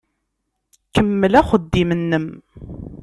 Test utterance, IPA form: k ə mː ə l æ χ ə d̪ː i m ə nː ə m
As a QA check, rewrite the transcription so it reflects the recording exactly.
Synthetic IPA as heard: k ə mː ə l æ χ ə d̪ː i m ə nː ə m